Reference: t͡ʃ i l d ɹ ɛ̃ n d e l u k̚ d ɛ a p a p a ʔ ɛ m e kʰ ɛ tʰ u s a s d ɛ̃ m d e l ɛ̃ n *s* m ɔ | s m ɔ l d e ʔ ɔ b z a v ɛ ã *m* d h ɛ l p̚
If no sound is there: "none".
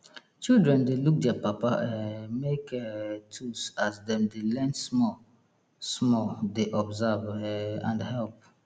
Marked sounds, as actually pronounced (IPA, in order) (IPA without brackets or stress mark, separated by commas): s, n